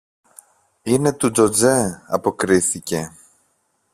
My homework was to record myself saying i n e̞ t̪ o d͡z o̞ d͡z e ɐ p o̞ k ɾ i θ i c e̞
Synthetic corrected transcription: i n e̞ t̪ u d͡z o̞ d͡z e ɐ p o̞ k ɾ i θ i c e̞